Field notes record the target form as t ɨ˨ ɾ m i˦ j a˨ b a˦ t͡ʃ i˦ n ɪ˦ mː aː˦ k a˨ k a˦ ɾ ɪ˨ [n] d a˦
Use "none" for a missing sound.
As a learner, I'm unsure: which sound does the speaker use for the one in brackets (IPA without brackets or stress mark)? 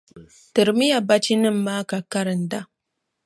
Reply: n